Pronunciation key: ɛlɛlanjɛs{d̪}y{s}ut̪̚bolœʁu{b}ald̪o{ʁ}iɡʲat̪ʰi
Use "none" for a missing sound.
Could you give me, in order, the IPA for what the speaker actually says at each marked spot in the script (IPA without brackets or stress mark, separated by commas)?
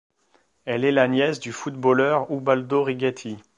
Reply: d̪, f, b, ʁ